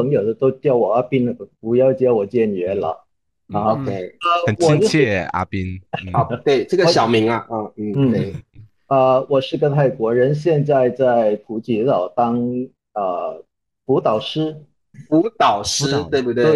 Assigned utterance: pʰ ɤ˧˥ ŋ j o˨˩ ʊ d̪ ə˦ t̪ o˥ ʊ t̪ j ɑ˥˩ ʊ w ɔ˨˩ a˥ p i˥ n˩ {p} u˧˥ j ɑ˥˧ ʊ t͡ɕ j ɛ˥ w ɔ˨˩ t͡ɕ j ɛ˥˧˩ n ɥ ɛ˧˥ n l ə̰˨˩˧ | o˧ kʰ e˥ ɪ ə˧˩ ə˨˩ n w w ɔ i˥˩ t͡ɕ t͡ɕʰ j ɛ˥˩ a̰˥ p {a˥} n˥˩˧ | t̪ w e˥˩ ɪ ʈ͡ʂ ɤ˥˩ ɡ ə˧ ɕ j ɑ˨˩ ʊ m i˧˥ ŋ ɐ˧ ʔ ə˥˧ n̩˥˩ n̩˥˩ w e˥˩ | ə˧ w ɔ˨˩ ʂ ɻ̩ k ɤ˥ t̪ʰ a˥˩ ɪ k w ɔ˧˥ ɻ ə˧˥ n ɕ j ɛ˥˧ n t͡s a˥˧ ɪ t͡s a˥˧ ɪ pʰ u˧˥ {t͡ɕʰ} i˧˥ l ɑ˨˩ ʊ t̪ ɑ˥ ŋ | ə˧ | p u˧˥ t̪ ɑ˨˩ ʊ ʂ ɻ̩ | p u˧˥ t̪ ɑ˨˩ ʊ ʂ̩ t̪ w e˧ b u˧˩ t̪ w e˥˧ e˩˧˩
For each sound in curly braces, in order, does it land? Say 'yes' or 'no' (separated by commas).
yes, no, no